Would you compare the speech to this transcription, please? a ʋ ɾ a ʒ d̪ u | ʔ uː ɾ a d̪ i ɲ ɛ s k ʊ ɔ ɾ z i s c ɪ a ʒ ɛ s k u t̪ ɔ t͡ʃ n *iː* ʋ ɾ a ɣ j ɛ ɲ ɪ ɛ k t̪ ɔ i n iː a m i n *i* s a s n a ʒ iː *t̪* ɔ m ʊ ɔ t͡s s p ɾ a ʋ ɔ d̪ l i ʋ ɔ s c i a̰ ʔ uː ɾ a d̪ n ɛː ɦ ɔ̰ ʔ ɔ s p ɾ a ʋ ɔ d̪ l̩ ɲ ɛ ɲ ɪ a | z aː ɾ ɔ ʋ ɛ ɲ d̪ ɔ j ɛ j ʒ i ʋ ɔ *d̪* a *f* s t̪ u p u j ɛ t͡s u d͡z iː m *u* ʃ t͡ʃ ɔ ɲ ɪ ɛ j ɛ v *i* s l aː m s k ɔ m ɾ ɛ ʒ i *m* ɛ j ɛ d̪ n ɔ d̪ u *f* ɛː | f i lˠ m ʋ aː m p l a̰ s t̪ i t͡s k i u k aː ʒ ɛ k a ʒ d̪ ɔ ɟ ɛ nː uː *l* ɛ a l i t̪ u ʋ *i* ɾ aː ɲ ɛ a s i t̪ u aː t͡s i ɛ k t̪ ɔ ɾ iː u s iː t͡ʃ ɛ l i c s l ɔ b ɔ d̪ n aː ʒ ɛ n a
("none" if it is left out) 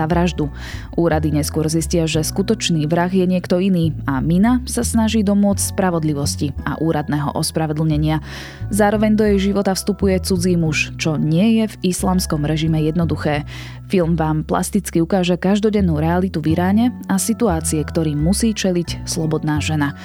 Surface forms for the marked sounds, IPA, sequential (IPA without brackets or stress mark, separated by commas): iː, a, d̪, t̪, f, u, i, m, x, ɾ, i